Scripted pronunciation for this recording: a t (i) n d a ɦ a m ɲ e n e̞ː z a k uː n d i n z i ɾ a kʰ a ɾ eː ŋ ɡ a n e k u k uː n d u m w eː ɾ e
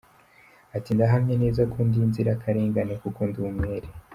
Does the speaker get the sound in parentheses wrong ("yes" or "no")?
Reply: no